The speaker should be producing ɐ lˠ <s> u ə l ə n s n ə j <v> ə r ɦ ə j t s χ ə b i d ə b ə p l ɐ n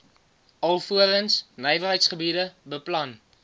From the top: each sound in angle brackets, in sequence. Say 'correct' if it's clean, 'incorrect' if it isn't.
incorrect, correct

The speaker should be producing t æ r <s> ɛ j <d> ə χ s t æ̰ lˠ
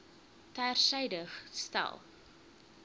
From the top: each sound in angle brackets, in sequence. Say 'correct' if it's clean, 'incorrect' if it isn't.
correct, correct

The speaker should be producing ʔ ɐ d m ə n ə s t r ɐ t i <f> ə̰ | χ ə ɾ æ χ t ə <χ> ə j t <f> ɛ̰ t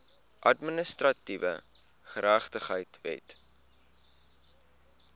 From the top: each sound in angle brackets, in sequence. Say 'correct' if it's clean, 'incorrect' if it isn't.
incorrect, correct, incorrect

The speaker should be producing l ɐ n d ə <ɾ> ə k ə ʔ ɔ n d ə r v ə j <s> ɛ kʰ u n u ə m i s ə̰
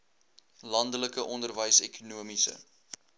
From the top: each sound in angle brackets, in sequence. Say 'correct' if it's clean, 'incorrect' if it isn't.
incorrect, correct

